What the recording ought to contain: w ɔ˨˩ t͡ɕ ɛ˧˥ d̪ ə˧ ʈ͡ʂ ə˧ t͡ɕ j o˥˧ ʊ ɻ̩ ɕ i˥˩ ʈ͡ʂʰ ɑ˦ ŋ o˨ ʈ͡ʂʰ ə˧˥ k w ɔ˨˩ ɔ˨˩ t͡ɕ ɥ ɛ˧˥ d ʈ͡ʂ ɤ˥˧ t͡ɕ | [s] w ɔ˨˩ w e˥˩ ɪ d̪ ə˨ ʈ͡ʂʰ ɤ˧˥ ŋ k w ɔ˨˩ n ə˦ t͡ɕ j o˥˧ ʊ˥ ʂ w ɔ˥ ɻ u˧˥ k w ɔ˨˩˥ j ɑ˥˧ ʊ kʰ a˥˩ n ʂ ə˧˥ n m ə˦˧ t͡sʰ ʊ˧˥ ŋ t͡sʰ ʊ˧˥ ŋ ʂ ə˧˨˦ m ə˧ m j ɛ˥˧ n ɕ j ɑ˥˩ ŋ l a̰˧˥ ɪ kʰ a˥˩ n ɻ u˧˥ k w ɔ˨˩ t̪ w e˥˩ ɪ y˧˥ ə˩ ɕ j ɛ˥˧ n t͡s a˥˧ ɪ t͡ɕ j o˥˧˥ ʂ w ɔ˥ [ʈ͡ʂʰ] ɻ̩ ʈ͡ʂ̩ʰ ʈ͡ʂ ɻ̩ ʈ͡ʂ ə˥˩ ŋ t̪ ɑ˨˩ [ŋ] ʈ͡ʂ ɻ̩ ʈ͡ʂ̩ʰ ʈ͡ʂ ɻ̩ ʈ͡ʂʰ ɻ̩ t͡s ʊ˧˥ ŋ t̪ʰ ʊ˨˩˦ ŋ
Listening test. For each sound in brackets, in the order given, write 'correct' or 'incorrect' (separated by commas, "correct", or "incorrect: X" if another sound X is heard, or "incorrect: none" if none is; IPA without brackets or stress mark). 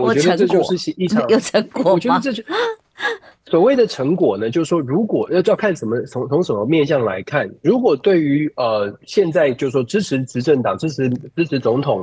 correct, incorrect: ʈ͡ʂ, correct